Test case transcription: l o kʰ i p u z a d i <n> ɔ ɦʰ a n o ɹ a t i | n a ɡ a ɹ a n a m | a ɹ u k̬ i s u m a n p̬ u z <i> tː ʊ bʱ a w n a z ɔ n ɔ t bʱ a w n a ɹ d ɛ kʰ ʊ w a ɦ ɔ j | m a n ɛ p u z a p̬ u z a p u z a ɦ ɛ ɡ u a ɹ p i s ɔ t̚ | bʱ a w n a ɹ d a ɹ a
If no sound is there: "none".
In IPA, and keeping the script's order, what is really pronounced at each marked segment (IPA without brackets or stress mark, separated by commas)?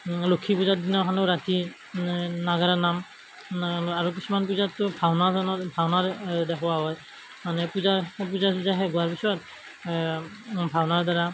n, a